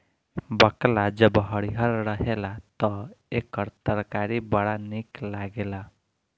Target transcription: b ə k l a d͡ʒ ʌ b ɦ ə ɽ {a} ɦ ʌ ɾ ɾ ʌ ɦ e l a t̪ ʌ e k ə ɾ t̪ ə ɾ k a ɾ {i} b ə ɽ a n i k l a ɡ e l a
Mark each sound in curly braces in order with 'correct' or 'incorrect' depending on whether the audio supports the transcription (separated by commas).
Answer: incorrect, correct